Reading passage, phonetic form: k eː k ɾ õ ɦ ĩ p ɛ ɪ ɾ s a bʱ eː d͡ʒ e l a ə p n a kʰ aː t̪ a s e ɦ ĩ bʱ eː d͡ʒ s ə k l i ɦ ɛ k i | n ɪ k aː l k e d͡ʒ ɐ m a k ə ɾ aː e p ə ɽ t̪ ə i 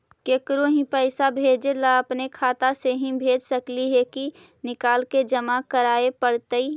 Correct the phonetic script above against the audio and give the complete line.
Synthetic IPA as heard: k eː k ɾ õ ɦ ĩ p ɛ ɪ s a bʱ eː d͡ʒ e l a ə p n e kʰ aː t̪ a s e ɦ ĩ bʱ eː d͡ʒ s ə k l i ɦ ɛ k i | n ɪ k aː l k e d͡ʒ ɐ m a k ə ɾ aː e p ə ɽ t̪ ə i

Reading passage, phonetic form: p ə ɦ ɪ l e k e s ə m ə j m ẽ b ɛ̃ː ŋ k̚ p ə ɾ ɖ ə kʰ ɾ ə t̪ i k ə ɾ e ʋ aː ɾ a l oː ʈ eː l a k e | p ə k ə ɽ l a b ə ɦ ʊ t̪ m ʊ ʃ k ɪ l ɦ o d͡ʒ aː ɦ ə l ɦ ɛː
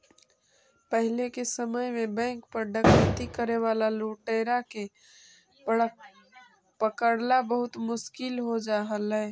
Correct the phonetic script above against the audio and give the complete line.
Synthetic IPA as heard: p ə ɦ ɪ l e k e s ə m ə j m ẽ b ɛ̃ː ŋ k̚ p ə ɾ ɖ ə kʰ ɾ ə t̪ i k ə ɾ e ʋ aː l a l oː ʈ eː ɾ a k e | p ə k ə ɽ l a b ə ɦ ʊ t̪ m ʊ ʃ k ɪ l ɦ o d͡ʒ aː ɦ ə l ɦ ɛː

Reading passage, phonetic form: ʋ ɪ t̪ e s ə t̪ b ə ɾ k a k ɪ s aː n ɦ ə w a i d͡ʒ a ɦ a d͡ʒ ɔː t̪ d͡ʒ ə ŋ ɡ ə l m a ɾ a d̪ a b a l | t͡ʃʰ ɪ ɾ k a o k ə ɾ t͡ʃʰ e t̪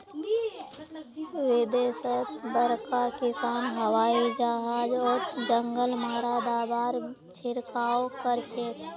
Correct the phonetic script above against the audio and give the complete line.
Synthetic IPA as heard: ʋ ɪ d̪ e s ə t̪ b ə ɾ k a k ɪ s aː n ɦ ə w a i d͡ʒ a ɦ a d͡ʒ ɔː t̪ d͡ʒ ə ŋ ɡ ə l m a ɾ a d̪ a b a ɾ | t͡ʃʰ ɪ ɾ k a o k ə ɾ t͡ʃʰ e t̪

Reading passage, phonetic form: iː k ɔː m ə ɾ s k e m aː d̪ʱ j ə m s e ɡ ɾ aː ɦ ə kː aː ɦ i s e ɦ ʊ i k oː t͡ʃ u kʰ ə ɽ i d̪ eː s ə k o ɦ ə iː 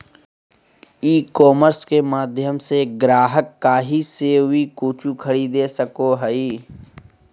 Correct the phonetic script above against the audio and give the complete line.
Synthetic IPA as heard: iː k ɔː m ə ɾ s k e m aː d̪ʱ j ə m s e ɡ ɾ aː ɦ ə kː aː ɦ i s e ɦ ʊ i k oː t͡ʃ u kʰ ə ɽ i d̪ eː s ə k o ɦ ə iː

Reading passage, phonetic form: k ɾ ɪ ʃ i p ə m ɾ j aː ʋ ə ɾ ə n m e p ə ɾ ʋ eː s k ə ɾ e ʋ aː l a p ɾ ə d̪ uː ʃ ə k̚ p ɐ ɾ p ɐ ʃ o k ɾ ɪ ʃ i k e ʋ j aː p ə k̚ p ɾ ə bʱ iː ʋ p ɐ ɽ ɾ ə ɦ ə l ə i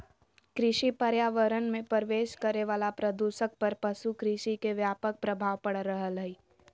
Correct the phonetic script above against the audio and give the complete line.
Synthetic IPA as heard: k ɾ ɪ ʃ i p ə ɾ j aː ʋ ə ɾ ə n m ẽ p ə ɾ ʋ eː ʃ k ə ɾ e ʋ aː l a p ɾ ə d̪ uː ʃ ə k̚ p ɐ ɾ p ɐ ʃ u k ɾ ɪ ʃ i k e ʋ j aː p ə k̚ p ɾ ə bʱ aː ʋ p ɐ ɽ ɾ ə ɦ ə l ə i

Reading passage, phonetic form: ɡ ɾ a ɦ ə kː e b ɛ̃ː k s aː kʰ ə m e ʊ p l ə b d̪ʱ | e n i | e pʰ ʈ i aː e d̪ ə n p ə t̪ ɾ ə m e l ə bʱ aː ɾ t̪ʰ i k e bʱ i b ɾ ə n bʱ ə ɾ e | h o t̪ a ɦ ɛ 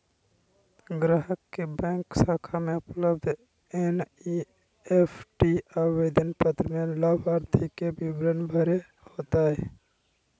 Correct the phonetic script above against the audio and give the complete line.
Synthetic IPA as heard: ɡ ɾ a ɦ ə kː e b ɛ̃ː k s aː kʰ a m e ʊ p l ə b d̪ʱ | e n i | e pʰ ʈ i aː e d̪ ə n p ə t̪ ɾ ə m e l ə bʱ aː ɾ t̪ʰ i k e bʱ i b ɾ ə n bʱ ə ɾ e | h o t̪ a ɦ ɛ

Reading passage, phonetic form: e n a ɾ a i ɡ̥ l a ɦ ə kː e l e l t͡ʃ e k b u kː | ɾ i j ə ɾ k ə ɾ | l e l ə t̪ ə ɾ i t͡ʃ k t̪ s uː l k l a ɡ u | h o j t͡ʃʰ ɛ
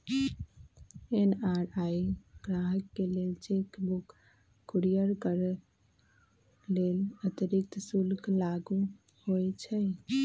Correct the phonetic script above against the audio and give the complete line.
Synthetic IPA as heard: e n a ɾ a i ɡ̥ ɾ a ɦ ə kː e l e l t͡ʃ e k b u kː | ɾ i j ə ɾ k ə ɾ | l e l ə t̪ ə ɾ i k t̪ s u l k l a ɡ u | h o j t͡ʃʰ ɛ

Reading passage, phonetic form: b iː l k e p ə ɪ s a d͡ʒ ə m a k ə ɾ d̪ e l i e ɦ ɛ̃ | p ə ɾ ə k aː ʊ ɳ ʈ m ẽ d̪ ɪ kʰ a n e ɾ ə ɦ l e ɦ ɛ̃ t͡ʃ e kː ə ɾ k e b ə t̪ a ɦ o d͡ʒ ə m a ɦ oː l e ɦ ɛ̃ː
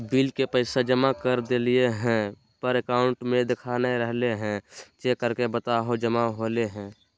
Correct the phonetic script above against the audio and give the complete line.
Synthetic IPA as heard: b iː l k e p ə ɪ s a d͡ʒ ə m a k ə ɾ d̪ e l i e ɦ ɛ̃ | p ə ɾ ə k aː ʊ ɳ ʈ m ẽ d̪ ɪ kʰ a n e ɾ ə ɦ l e ɦ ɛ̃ t͡ʃ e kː ə ɾ k e b ə t̪ a ɦ o d͡ʒ ə m a ɦ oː l e ɦ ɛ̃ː

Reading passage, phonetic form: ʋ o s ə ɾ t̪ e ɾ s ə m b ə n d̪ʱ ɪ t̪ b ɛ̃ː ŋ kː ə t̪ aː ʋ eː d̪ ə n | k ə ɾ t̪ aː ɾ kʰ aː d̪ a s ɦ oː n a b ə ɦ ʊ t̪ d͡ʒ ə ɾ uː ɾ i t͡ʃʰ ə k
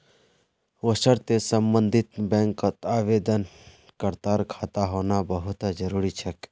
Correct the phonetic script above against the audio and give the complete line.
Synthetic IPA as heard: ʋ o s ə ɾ t̪ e s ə m b ə n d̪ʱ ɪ t̪ b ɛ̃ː ŋ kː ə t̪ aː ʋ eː d̪ ə n | k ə ɾ t̪ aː ɾ kʰ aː t̪ a ɦ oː n a b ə ɦ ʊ t̪ d͡ʒ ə ɾ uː ɾ i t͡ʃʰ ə k

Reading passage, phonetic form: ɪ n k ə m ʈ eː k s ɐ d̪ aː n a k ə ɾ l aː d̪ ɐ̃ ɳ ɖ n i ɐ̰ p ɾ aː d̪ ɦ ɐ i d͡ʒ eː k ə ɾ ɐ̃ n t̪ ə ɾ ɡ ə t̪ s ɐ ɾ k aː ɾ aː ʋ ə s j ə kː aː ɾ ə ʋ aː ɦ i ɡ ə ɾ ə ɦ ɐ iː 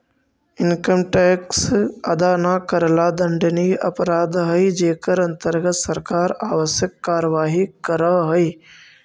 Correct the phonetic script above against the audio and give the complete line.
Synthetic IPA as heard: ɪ n k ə m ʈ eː k s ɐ d̪ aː n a k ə ɾ l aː d̪ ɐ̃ ɳ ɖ n i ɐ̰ p ɾ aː d̪ ɦ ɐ i d͡ʒ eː k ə ɾ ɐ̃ n t̪ ə ɾ ɡ ə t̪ s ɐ ɾ k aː ɾ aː ʋ ə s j ə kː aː ɾ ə ʋ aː ɦ i k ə ɾ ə ɦ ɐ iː

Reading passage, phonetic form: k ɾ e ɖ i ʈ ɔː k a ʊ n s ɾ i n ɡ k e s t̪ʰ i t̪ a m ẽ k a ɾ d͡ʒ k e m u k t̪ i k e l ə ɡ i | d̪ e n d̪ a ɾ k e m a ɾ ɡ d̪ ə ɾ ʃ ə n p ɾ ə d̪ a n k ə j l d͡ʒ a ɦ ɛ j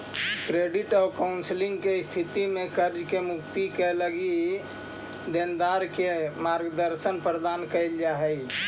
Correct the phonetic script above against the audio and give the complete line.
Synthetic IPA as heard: k ɾ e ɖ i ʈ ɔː k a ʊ n s l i ŋ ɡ k e s t̪ʰ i t̪ i m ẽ k ə ɾ d͡ʒ k e m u k t̪ i k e l ə ɡ i | d̪ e n d̪ a ɾ k e m a ɾ ɡ d̪ ə ɾ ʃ ə n p ɾ ə d̪ a n k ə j l d͡ʒ a ɦ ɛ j

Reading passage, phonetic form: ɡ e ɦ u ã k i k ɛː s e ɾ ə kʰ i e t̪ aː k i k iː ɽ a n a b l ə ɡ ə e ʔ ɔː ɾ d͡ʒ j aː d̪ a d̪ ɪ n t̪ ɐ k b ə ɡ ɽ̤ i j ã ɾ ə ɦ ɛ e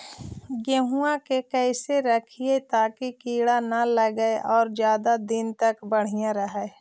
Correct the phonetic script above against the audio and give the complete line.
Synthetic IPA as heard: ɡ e ɦ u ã k e k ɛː s e ɾ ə kʰ i e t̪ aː k i k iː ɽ a n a l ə ɡ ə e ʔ ɔː ɾ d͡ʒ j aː d̪ a d̪ ɪ n t̪ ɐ k b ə ɽ̤ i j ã ɾ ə ɦ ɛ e

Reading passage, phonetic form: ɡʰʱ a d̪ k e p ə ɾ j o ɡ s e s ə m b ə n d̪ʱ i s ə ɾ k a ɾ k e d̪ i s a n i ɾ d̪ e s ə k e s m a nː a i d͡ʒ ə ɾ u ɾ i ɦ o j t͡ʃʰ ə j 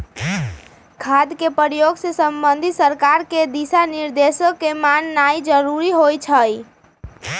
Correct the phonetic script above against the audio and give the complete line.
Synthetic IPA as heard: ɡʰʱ a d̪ k e p ə ɾ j o ɡ s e s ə m b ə n d̪ʱ i s ə ɾ k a ɾ k e d̪ i s a n i ɾ d̪ e s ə k e m a nː a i d͡ʒ ə ɾ u ɾ i ɦ o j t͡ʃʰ ə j

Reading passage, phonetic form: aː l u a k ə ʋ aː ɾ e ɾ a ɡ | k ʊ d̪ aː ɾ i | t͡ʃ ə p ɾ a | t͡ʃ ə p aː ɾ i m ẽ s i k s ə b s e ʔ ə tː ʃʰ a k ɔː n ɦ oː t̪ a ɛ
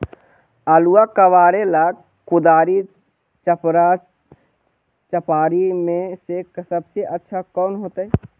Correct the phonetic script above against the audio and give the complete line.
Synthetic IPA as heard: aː l u a k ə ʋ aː ɾ e l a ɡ | k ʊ d̪ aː ɾ i | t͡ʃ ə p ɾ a | t͡ʃ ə p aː ɾ i m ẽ s e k s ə b s e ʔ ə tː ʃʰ a k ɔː n ɦ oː t̪ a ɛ

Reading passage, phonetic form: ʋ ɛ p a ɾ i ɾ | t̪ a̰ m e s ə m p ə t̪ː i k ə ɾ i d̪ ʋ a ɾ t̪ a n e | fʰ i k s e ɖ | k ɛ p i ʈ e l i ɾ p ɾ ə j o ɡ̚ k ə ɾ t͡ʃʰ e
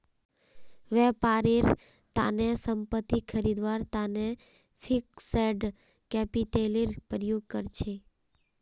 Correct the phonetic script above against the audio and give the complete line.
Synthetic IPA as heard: ʋ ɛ p a ɾ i ɾ | t̪ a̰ n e s ə m p ə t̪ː i kʰ ə ɾ i d̪ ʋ a ɾ t̪ a n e | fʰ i k s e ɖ | k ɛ p i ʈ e l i ɾ p ɾ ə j o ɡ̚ k ə ɾ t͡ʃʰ e

